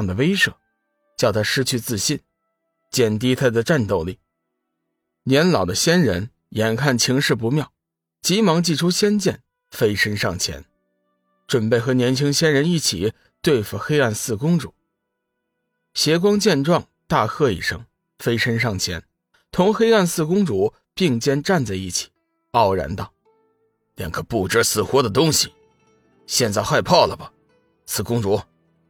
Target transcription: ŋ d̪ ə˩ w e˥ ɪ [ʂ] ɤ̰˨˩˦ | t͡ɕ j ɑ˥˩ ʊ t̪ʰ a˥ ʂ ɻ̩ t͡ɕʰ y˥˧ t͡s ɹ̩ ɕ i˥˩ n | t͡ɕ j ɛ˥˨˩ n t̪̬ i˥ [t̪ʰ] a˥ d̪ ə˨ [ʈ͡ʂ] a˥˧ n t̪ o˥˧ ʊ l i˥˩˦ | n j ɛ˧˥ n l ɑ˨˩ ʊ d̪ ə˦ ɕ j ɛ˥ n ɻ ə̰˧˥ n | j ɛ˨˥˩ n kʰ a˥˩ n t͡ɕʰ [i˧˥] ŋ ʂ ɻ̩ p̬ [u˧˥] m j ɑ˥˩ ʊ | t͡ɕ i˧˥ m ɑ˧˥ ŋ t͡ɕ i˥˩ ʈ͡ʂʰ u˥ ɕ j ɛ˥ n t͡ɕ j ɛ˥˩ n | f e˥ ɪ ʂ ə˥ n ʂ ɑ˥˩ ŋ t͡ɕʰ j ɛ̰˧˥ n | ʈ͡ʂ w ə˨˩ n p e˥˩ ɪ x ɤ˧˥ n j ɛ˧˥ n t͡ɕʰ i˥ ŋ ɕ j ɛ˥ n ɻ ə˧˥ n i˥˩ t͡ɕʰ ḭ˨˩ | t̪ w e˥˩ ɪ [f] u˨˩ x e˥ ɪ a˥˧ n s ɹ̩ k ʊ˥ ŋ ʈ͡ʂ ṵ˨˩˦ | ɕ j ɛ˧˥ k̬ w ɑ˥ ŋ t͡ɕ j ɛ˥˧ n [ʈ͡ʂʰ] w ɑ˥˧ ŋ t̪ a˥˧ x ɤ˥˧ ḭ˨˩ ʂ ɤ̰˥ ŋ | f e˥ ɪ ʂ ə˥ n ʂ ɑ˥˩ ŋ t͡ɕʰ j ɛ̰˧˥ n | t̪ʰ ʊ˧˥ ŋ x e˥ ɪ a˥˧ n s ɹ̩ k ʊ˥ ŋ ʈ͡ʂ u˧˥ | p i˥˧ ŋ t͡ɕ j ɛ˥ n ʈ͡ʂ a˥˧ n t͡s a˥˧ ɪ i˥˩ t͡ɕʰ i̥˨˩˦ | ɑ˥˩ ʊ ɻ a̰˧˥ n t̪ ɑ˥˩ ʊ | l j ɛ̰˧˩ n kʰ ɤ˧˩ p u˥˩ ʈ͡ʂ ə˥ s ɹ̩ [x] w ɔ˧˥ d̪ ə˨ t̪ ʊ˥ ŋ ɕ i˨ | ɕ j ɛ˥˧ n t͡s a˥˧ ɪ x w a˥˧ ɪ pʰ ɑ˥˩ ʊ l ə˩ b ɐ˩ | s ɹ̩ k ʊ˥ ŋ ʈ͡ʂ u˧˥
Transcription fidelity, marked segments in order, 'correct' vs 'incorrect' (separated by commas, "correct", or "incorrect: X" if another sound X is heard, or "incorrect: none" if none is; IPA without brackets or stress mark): correct, correct, correct, correct, correct, correct, incorrect: ʈ͡ʂ, correct